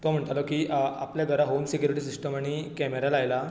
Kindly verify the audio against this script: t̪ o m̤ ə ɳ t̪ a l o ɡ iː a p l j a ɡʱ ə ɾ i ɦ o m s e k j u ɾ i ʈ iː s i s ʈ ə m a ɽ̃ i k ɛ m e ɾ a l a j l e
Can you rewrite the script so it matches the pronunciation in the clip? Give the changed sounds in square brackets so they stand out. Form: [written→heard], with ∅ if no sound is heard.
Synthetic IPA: t̪ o m̤ ə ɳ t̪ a l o [ɡ→k] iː a p l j a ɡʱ ə ɾ [i→a] ɦ o m s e k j u ɾ i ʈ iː s i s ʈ ə m a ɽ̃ i k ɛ m e ɾ a l a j l [e→a]